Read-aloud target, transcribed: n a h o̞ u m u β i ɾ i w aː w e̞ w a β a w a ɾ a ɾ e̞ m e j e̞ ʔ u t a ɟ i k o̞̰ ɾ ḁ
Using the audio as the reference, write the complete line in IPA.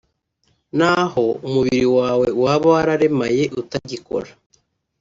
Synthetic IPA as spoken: n a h o̞ u m u β i ɾ i w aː w e̞ w a β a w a ɾ a ɾ e̞ m a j e̞ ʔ u t a ɟ i k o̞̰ ɾ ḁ